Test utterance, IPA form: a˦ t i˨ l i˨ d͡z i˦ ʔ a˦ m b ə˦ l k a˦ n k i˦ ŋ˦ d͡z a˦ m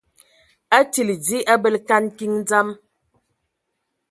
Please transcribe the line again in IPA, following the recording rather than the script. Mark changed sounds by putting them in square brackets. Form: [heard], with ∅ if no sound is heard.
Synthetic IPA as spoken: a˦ t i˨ l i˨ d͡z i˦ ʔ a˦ [∅] b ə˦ l k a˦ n k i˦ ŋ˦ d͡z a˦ m